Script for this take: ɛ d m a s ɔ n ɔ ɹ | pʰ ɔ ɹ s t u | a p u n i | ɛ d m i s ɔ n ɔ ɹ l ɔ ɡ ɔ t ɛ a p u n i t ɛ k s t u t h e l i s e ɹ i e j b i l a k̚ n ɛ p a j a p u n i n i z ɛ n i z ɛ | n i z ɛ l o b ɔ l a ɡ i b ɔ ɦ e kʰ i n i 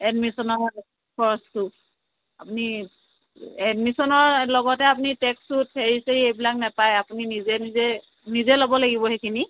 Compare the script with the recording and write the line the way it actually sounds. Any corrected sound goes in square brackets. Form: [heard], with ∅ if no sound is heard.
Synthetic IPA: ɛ d m [i] s ɔ n ɔ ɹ | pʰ ɔ ɹ s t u | a p u n i | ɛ d m i s ɔ n ɔ ɹ l ɔ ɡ ɔ t ɛ a p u n i t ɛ k s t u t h e [ɹ] i s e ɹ i e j b i l a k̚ n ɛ p a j a p u n i n i z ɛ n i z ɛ | n i z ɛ l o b ɔ l a ɡ i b ɔ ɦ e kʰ i n i